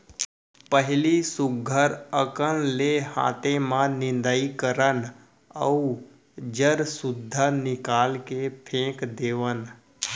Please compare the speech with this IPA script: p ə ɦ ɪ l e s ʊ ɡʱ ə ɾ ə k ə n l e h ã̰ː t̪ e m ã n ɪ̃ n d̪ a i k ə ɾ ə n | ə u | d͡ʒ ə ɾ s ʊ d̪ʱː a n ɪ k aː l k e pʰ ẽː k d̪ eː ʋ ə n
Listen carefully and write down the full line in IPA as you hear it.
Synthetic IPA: p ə ɦ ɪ l i s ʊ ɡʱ ə ɾ ə k ə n l e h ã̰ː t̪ e m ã n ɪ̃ n d̪ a i k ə ɾ ə n | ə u | d͡ʒ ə ɾ s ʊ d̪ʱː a n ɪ k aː l k e pʰ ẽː k d̪ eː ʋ ə n